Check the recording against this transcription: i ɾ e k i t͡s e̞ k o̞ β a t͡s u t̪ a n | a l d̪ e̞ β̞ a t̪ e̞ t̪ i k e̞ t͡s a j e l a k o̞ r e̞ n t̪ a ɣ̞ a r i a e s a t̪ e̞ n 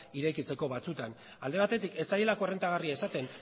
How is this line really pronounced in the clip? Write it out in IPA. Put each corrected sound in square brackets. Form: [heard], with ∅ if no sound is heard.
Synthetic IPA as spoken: i ɾ e k i t͡s e̞ k o̞ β a t͡s u t̪ a n | a l d̪ e̞ β̞ a t̪ e̞ t̪ i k e̞ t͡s a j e l a k o̞ r e̞ n t̪ a ɣ̞ a r i a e s a t̪ e̞ n